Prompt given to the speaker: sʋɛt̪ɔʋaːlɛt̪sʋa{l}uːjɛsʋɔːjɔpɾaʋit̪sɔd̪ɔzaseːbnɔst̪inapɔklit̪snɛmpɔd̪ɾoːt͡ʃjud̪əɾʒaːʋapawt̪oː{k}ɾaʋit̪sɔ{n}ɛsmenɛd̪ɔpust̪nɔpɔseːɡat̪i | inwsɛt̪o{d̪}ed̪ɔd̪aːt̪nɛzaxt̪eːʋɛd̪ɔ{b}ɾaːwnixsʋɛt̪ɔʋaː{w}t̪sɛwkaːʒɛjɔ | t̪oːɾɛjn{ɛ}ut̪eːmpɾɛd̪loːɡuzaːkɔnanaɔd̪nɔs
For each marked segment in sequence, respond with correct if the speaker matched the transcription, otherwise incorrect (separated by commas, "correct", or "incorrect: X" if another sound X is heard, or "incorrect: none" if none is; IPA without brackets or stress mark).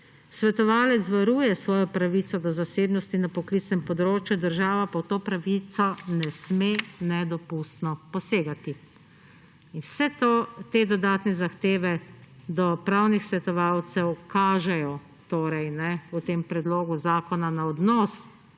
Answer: incorrect: ɾ, incorrect: p, correct, incorrect: t̪, incorrect: p, correct, correct